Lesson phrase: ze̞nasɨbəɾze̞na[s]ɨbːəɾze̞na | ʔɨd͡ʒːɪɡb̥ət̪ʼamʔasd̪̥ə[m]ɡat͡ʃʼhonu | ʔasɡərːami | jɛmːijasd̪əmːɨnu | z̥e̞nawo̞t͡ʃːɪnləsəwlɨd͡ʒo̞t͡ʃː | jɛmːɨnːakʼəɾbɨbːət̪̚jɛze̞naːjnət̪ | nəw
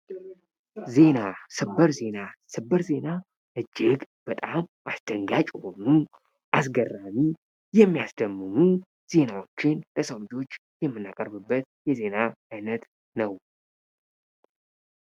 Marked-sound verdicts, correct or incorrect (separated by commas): correct, incorrect